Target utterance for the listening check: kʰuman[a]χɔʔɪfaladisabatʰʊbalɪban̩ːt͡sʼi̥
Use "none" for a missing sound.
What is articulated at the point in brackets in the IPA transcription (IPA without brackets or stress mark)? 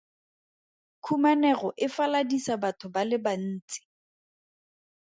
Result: ɛ